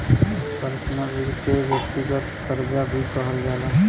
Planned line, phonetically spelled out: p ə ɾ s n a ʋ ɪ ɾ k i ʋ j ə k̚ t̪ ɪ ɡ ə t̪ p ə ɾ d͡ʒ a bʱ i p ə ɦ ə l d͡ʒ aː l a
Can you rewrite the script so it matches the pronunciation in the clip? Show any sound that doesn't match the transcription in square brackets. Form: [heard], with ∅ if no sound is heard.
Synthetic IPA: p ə ɾ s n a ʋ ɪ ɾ k [e] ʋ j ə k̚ t̪ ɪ ɡ ə t̪ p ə ɾ d͡ʒ a bʱ i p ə ɦ ə l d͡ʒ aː l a